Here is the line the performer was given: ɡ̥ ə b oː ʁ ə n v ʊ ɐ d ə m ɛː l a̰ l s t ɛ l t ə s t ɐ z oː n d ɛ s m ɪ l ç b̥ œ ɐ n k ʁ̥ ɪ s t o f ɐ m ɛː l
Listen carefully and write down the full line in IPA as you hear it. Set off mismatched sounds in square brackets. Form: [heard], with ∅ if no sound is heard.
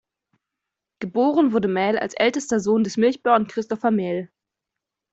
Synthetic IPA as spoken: ɡ̥ ə b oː ʁ ə n v ʊ ɐ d ə m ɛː l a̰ l s [ʔ] ɛ l t ə s t ɐ z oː n d ɛ s m ɪ l ç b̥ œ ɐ n k ʁ̥ ɪ s t [ɔ] f ɐ m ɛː l